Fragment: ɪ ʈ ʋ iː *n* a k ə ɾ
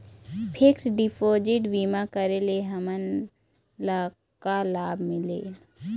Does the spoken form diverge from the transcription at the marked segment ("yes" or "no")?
yes